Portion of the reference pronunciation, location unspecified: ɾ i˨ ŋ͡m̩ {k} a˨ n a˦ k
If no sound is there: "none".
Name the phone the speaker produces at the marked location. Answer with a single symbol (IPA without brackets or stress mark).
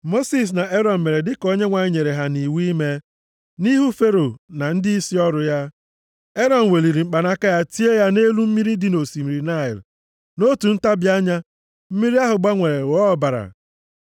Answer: k͡p